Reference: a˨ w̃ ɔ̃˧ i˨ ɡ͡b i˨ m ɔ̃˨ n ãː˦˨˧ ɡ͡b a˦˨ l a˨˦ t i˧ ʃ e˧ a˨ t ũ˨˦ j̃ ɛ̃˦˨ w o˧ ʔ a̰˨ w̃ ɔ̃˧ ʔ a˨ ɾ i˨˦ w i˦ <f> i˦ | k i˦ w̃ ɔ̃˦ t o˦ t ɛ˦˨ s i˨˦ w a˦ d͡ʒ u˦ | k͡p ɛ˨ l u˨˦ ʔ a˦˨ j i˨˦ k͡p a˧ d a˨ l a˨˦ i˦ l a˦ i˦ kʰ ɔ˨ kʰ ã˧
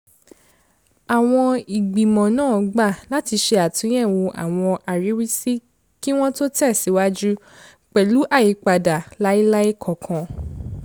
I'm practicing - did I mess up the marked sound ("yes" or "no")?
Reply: yes